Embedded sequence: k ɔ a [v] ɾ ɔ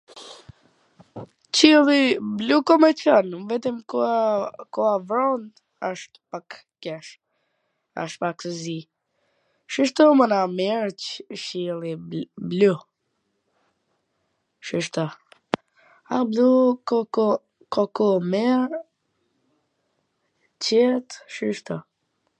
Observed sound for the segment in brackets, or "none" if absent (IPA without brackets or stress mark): v